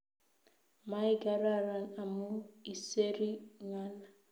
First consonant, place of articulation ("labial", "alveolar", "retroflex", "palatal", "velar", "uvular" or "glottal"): labial